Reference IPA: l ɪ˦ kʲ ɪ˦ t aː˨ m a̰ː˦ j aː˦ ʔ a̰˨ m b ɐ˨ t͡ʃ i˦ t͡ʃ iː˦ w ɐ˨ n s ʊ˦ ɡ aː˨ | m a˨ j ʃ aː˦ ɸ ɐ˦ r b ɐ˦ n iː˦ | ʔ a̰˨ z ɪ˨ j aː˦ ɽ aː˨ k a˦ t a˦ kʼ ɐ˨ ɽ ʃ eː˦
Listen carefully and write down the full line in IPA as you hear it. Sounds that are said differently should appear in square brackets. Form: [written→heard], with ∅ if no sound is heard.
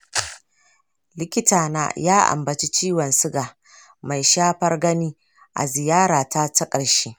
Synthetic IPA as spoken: l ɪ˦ kʲ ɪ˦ t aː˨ [m→n] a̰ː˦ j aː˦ ʔ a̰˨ m b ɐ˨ t͡ʃ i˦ t͡ʃ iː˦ w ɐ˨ n s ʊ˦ ɡ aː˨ | m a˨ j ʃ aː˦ ɸ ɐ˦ r [b→ɡ] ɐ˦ n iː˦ | ʔ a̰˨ z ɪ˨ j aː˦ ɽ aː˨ [k→t] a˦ t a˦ kʼ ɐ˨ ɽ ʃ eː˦